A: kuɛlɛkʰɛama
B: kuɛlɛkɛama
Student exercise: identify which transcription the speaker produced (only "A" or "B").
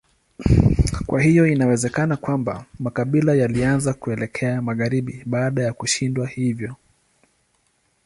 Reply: A